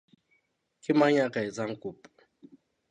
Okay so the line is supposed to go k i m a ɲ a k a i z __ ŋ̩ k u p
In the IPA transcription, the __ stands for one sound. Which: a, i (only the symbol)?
a